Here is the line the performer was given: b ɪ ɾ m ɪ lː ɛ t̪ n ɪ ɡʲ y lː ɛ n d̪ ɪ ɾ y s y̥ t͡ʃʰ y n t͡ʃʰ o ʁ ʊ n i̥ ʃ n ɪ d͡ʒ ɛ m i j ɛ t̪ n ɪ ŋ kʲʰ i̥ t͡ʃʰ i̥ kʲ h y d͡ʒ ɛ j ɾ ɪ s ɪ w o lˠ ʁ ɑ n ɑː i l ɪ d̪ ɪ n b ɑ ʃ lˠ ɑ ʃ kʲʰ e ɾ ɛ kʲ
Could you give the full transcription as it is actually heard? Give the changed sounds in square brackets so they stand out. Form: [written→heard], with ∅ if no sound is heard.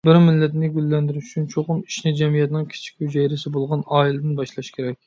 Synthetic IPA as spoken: b ɪ ɾ m ɪ lː ɛ t̪ n ɪ ɡʲ y lː ɛ n d̪ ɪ ɾ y [s→ʃ] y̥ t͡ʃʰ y n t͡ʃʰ o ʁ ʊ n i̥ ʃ n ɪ d͡ʒ ɛ m i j ɛ t̪ n ɪ ŋ kʲʰ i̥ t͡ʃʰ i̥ kʲ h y d͡ʒ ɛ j ɾ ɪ s ɪ [w→b] o lˠ ʁ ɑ n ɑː i l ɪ d̪ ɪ n b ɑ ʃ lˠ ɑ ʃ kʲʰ e ɾ ɛ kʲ